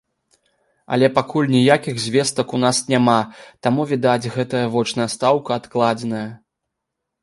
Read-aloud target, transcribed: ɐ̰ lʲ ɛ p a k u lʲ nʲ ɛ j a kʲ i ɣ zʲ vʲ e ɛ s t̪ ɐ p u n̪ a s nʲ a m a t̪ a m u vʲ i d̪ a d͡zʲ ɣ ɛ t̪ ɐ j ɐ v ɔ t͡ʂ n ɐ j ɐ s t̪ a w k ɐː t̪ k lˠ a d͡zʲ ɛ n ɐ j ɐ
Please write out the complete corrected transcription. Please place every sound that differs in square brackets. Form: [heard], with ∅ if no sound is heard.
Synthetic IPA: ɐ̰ lʲ ɛ p a k u lʲ nʲ [i] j a kʲ i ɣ zʲ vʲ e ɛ s t̪ ɐ [k] u n̪ a s nʲ a m a t̪ a m u vʲ i d̪ a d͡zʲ ɣ ɛ t̪ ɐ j ɐ v ɔ t͡ʂ n ɐ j ɐ s t̪ a w k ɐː t̪ k lˠ a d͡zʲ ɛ n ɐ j ɐ

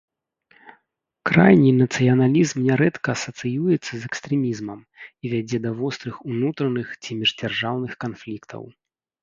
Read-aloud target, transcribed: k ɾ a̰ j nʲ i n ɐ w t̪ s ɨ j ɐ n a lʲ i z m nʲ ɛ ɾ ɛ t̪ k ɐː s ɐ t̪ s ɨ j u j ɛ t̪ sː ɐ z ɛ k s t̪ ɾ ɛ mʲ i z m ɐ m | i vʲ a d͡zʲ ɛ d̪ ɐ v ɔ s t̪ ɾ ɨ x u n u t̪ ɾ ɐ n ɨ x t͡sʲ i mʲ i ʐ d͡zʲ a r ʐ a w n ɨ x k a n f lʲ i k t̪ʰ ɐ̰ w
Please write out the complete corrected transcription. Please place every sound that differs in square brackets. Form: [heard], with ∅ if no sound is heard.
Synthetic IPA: k ɾ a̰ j nʲ i n ɐ [∅] t̪ s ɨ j ɐ n a lʲ i z m nʲ ɛ ɾ ɛ t̪ k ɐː s ɐ t̪ s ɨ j u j ɛ t̪ sː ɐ z ɛ k s t̪ ɾ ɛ mʲ i z m ɐ m | i vʲ a d͡zʲ ɛ d̪ ɐ v ɔ s t̪ ɾ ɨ x u n u t̪ ɾ ɐ n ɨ x t͡sʲ i mʲ i ʐ d͡zʲ a r ʐ a w n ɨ x k a n f lʲ i k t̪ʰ ɐ̰ w

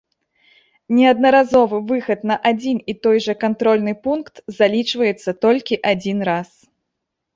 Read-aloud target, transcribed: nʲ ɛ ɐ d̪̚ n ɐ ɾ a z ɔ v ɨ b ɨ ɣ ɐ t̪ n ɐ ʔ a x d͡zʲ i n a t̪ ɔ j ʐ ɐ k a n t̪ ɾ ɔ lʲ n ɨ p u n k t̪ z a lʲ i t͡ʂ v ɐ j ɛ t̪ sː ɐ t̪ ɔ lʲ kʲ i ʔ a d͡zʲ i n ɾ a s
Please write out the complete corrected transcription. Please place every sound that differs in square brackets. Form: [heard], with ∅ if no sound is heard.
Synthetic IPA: nʲ ɛ ɐ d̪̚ n ɐ ɾ a z ɔ v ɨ [v] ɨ [x] ɐ t̪ n ɐ ʔ a [∅] d͡zʲ i n [i] t̪ ɔ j ʐ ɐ k a n t̪ ɾ ɔ lʲ n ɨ p u n k t̪ z a lʲ i t͡ʂ v ɐ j ɛ t̪ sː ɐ t̪ ɔ lʲ kʲ i ʔ a d͡zʲ i n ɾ a s

